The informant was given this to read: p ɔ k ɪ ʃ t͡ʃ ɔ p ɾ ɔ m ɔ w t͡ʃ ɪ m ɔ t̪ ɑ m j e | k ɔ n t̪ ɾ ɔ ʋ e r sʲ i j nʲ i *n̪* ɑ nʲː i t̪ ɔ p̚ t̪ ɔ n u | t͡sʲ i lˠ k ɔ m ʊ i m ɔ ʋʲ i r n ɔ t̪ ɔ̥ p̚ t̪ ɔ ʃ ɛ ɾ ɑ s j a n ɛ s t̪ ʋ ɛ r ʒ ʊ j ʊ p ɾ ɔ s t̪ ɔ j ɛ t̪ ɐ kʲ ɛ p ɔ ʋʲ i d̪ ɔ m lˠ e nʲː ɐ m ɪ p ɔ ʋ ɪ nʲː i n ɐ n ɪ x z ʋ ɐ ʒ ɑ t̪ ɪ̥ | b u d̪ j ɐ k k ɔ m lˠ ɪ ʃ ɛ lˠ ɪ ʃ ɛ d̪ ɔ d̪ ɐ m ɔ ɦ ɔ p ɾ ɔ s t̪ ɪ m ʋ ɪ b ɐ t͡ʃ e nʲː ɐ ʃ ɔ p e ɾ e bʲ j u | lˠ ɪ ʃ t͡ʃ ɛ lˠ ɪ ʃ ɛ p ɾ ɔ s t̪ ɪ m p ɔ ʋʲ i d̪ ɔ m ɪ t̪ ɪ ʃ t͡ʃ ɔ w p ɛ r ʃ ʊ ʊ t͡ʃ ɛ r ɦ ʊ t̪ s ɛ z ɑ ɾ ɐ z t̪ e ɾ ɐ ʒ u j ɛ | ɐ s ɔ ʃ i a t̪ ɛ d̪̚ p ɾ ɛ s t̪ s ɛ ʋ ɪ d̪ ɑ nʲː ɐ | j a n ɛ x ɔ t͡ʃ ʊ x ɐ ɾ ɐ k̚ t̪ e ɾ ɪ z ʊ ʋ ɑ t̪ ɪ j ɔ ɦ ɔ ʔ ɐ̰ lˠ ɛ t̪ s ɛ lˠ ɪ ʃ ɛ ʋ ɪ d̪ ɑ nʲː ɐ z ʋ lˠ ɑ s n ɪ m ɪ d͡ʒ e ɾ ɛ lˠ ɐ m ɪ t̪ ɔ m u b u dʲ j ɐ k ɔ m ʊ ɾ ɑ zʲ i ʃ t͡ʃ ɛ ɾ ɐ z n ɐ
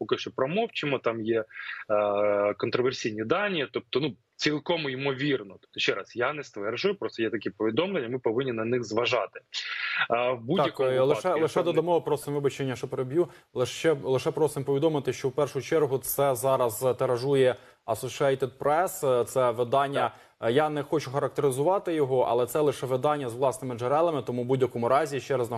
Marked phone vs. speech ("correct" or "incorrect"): incorrect